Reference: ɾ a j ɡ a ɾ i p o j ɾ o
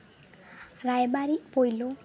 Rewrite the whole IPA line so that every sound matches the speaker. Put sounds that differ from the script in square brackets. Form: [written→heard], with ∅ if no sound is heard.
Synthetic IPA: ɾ a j [ɡ→b] a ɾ i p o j [ɾ→l] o